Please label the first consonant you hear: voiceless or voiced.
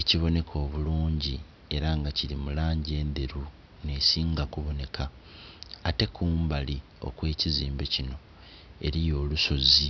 voiceless